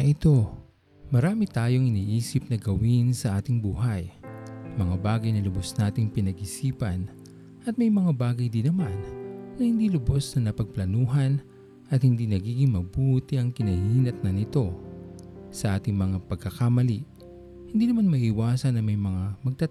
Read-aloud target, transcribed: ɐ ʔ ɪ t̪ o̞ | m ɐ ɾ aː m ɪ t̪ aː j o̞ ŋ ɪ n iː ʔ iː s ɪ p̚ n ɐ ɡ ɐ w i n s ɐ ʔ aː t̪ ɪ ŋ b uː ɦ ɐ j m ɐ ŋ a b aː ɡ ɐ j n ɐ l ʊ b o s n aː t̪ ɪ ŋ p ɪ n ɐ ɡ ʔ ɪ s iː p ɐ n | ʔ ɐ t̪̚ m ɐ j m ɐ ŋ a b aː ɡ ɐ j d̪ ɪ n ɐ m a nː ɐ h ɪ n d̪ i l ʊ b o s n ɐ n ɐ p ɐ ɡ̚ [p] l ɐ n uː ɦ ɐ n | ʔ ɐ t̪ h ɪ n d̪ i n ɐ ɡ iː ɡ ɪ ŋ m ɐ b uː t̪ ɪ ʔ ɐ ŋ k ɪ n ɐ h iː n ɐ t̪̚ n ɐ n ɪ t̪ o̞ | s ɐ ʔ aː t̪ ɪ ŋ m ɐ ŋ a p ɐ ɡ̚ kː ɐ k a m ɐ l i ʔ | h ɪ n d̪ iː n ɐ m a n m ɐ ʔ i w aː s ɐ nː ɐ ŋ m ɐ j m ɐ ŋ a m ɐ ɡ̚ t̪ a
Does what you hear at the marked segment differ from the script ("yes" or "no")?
no